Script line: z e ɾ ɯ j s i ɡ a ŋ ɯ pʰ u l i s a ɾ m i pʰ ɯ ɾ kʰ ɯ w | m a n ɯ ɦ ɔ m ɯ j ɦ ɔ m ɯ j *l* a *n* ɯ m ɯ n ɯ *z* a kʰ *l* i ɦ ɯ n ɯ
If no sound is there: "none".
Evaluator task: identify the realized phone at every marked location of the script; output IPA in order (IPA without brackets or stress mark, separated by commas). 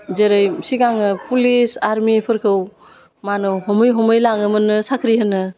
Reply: l, ŋ, s, ɾ